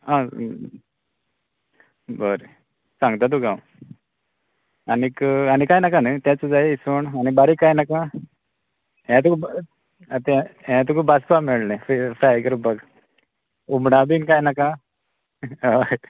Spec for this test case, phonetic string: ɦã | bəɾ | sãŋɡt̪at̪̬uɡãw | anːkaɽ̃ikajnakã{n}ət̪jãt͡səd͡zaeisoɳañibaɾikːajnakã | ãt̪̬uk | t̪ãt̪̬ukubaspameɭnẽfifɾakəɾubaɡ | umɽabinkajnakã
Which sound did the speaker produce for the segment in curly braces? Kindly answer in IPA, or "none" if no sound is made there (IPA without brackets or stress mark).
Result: n